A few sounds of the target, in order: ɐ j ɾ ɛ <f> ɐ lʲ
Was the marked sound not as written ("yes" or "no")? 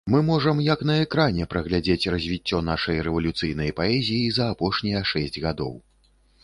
yes